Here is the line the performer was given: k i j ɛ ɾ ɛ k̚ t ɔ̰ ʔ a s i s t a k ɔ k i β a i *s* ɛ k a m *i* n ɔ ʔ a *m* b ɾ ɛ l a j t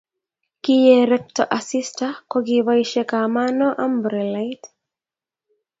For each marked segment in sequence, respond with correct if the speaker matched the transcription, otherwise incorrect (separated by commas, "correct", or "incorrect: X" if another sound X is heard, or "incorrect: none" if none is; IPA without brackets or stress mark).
incorrect: ʃ, incorrect: a, correct